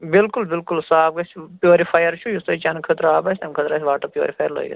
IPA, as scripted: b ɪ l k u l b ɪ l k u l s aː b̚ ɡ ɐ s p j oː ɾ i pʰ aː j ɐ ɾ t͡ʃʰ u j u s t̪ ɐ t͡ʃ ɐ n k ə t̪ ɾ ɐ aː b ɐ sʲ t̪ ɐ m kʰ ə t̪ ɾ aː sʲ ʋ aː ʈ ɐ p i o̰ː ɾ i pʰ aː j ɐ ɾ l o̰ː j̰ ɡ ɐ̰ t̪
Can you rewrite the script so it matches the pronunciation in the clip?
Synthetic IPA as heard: b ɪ l k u l b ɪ l k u l s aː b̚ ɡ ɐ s p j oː ɾ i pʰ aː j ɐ ɾ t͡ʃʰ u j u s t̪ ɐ t͡ʃ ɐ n kʰ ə t̪ ɾ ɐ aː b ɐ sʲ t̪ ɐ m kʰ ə t̪ ɾ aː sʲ ʋ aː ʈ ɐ p j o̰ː ɾ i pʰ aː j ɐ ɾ l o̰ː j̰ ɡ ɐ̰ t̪